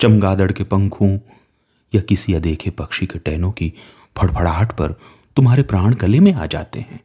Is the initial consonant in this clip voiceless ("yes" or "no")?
yes